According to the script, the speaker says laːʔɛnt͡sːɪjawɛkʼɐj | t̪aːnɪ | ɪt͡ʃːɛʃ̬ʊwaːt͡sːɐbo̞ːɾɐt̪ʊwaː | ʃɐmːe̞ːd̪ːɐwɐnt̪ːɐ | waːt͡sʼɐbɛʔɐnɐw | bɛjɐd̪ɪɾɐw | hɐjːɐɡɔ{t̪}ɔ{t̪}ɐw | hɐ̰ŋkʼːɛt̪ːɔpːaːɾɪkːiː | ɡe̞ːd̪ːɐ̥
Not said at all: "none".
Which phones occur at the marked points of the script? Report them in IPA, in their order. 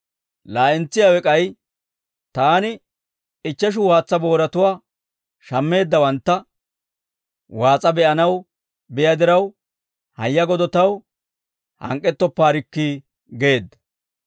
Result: d̪, t̪

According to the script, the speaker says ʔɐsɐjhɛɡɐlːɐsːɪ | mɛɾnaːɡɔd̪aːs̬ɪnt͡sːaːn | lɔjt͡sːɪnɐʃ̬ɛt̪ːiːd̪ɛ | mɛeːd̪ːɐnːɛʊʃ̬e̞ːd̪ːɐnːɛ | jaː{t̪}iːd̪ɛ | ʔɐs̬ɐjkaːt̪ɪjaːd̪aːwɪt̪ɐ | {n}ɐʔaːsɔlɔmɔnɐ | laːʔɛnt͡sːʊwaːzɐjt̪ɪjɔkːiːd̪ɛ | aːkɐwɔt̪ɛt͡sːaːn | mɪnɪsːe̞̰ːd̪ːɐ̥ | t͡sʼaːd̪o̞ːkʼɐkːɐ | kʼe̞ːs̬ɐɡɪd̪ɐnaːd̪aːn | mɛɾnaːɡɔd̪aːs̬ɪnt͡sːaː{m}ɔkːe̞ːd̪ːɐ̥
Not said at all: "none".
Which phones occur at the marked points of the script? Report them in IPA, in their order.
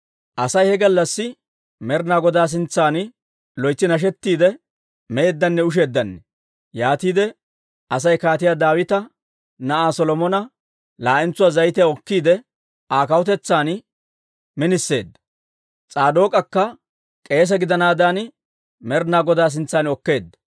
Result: t̪, n, n

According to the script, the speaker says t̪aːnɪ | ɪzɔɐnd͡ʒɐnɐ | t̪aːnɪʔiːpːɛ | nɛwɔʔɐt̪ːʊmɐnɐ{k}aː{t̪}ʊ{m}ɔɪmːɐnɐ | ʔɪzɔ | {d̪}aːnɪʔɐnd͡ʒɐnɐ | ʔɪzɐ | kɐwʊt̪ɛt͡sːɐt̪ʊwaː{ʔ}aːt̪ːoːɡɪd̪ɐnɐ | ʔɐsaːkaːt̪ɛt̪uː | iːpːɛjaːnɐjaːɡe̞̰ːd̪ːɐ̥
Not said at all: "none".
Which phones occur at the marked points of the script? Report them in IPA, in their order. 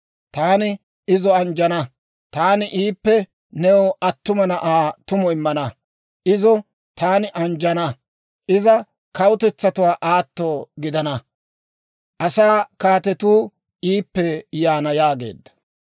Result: ʔ, t̪, m, t̪, ʔ

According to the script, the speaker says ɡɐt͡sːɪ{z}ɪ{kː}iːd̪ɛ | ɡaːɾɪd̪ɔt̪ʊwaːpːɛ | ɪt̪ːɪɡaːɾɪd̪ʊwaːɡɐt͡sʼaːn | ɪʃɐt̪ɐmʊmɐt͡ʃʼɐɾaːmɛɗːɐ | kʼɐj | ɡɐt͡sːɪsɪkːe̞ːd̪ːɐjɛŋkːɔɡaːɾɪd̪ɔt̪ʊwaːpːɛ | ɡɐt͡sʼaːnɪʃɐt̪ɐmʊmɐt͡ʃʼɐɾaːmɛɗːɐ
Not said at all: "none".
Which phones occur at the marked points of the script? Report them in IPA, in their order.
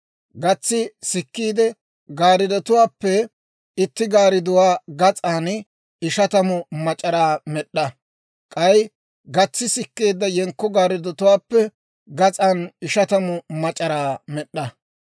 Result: s, kː

